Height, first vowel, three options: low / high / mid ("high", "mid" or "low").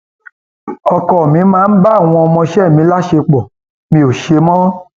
mid